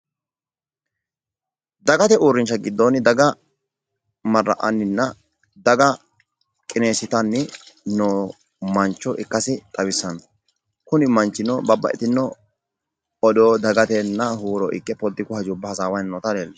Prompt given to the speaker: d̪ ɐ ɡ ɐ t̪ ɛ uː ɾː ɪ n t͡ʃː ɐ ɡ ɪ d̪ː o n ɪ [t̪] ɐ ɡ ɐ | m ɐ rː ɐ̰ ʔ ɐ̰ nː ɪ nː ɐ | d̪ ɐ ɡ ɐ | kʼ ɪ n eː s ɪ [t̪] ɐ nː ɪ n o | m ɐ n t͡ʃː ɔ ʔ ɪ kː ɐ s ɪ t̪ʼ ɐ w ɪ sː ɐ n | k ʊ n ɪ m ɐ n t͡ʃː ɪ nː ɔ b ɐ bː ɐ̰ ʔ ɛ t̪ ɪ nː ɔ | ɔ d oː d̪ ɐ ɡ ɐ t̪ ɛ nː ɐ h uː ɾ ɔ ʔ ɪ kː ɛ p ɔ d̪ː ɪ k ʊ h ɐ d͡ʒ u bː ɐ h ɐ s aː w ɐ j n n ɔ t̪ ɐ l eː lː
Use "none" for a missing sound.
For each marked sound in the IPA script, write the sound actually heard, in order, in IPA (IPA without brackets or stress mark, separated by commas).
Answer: d̪, t̪